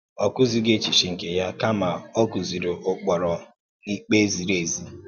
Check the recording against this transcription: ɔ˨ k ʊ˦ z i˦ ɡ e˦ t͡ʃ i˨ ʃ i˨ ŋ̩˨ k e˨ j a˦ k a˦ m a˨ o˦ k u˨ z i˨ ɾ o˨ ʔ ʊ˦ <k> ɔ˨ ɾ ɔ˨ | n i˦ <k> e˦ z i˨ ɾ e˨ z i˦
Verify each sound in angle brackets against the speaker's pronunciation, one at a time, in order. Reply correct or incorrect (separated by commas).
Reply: incorrect, incorrect